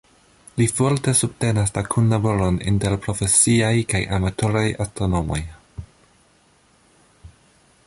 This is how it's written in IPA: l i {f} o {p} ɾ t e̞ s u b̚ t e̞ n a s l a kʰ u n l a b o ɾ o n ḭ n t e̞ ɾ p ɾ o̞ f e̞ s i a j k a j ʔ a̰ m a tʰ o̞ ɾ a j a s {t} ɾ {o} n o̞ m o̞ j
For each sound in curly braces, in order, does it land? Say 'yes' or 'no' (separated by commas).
yes, no, yes, yes